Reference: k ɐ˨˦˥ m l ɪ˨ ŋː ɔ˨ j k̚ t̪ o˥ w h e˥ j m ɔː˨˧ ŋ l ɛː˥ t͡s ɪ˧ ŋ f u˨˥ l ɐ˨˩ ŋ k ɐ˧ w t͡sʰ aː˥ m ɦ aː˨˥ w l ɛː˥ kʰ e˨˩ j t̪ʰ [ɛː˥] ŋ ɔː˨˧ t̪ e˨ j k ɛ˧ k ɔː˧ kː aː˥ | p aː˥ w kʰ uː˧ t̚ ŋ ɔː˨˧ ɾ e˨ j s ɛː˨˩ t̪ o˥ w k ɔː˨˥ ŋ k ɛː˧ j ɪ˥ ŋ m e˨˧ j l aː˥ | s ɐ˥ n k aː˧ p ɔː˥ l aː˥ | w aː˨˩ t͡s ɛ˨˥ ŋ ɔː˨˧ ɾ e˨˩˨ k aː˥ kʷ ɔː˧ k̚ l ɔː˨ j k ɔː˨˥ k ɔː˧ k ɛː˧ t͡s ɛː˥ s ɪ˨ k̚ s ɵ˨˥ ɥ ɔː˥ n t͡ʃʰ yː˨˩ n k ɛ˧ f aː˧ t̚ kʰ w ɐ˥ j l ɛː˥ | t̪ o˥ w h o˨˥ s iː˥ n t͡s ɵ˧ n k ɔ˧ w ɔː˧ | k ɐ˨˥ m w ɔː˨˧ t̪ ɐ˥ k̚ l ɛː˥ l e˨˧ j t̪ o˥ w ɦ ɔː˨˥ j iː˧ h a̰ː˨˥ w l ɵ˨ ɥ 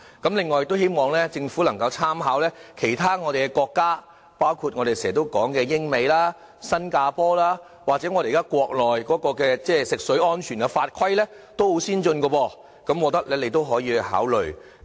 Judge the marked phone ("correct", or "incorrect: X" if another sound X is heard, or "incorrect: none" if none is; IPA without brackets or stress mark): incorrect: aː˥